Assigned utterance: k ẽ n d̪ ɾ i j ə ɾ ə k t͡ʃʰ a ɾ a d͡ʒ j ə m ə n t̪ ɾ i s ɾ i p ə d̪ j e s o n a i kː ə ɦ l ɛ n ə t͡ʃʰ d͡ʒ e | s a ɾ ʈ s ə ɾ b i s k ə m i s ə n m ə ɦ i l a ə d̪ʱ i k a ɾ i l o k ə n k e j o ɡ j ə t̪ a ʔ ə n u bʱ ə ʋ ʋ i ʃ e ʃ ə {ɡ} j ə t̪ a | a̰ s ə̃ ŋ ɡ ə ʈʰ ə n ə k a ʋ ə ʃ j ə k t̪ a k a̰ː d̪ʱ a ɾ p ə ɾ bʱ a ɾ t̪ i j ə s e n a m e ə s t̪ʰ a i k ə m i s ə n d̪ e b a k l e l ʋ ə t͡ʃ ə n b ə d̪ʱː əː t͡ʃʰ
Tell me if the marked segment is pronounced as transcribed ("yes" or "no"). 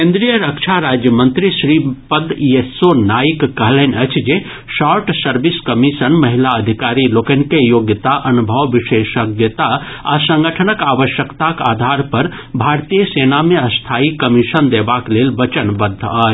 yes